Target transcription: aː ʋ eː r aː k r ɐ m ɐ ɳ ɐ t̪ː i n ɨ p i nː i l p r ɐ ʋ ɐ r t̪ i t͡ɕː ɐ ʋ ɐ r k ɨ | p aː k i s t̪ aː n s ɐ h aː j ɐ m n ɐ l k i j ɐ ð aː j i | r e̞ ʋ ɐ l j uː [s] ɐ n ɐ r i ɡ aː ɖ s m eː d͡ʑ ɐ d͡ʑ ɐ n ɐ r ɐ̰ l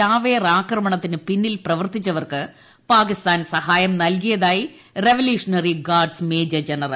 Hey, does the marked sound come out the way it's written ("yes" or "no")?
no